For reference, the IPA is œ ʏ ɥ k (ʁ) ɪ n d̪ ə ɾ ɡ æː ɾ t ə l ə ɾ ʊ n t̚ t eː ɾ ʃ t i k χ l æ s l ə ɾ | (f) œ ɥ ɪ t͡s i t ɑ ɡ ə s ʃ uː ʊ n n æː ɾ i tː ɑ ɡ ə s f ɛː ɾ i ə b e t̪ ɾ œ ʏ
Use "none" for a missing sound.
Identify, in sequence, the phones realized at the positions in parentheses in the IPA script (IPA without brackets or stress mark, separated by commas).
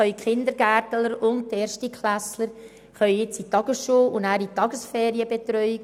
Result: χ, χ